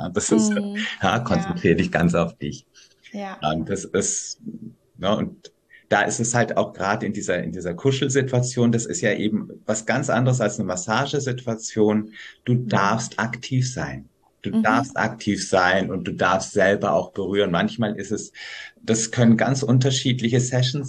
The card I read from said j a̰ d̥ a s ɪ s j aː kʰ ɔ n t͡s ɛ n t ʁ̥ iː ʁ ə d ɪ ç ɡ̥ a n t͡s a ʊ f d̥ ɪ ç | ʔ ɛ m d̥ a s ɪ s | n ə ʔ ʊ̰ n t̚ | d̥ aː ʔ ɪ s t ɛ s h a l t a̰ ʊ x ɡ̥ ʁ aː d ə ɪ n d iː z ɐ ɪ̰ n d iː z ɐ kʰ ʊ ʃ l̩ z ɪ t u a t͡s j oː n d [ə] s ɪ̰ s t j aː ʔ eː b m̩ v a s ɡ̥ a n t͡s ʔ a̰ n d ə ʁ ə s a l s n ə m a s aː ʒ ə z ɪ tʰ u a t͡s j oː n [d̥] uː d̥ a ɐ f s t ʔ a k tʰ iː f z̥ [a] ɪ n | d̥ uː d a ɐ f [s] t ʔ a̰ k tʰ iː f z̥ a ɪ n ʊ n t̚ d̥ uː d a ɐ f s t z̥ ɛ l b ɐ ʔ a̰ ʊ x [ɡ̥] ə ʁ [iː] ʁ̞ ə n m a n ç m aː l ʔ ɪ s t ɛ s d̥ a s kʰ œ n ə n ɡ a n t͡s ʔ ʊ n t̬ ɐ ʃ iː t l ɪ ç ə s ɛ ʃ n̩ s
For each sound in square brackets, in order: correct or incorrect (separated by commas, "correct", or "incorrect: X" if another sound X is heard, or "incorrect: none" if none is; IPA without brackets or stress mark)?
incorrect: a, correct, correct, correct, incorrect: b̥, incorrect: yː